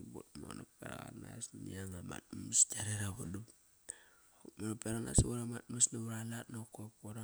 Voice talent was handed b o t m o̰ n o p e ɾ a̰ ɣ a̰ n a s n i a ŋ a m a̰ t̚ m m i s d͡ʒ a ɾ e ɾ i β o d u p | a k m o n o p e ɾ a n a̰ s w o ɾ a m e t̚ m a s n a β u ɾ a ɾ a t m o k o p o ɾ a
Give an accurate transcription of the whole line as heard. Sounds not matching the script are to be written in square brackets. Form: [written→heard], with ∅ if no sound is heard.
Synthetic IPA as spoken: b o t m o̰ n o p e ɾ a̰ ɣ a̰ n a s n i a ŋ a m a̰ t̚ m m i s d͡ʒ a ɾ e ɾ [i→a] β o d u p | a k m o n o p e ɾ a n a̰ s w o ɾ a m [e→a] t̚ m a s n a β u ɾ a [ɾ→l] a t [m→n] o k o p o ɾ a